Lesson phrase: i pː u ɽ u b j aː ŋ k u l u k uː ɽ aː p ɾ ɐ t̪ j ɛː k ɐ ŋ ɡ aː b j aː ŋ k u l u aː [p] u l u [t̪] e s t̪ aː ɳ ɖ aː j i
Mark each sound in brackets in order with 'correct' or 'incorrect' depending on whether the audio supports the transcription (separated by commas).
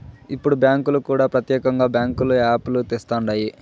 correct, correct